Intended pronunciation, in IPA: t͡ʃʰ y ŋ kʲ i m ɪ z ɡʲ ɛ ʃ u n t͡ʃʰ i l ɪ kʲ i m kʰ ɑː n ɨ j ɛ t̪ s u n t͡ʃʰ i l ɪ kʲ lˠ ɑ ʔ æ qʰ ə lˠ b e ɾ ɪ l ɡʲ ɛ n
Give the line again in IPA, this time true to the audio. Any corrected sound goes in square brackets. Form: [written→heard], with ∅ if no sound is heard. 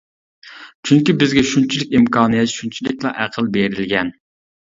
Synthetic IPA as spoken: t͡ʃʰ y ŋ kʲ i [m→b] ɪ z ɡʲ ɛ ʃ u n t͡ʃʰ i l ɪ kʲ i m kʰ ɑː n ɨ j ɛ t̪ [s→ʃ] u n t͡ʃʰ i l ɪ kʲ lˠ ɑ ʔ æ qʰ ə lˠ b e ɾ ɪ l ɡʲ ɛ n